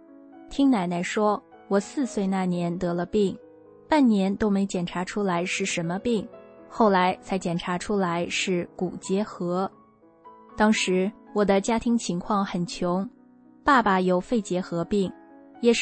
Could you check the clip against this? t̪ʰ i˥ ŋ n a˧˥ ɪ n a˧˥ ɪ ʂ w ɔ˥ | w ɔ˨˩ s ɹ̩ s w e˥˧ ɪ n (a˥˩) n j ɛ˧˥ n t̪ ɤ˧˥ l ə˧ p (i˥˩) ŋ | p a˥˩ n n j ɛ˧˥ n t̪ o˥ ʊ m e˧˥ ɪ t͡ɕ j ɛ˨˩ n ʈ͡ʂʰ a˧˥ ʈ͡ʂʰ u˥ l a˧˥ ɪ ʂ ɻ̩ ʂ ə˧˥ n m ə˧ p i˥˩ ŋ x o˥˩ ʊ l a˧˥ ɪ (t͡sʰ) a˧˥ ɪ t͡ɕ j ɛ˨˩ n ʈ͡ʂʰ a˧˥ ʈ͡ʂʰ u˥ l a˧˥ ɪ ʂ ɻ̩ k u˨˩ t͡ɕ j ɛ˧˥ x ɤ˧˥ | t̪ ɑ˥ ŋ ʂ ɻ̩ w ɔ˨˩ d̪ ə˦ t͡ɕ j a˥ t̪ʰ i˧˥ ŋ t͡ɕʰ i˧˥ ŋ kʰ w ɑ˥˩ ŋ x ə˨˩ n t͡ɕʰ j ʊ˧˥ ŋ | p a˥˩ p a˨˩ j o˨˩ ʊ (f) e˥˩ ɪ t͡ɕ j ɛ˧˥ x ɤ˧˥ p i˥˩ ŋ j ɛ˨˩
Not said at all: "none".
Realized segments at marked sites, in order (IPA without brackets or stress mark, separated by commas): a˥˩, i˥˩, t͡sʰ, f